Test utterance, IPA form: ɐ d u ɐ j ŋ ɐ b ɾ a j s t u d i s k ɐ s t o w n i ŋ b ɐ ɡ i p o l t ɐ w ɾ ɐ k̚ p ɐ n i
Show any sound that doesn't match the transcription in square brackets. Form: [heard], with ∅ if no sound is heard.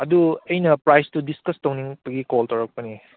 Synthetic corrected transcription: ɐ d u ɐ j [n] ɐ [p] ɾ a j s t u d i s k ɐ s t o w n i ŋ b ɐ ɡ i [k] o l t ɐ w ɾ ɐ k̚ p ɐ n i